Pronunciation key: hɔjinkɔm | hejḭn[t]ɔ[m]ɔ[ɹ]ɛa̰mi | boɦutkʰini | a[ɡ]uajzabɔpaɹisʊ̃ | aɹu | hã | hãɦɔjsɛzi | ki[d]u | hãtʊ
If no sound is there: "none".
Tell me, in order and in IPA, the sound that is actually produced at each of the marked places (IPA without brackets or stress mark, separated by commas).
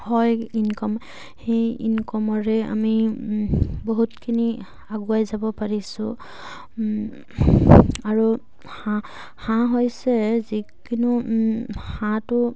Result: k, m, ɹ, ɡ, n